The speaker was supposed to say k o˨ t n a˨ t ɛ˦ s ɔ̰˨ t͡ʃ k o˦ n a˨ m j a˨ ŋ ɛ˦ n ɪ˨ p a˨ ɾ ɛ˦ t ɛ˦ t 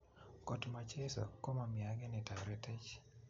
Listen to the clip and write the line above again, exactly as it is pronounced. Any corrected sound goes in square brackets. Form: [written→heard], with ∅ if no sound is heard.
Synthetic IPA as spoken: k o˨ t [n→m] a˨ [t→t͡ʃ] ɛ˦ s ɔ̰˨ [t͡ʃ→∅] k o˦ [n→m] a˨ m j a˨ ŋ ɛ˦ n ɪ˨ [p→t] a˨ ɾ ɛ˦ t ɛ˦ [t→t͡ʃ]